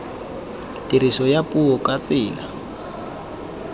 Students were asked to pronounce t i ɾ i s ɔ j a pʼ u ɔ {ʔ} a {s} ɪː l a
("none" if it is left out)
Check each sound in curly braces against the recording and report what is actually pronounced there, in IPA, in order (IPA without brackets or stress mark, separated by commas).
k, t͡s